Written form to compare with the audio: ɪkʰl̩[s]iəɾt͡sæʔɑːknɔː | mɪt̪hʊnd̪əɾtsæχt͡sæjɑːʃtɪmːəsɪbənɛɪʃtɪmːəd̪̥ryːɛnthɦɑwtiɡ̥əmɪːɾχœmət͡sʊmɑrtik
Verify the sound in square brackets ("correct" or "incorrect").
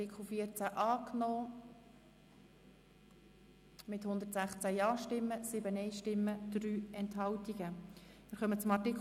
incorrect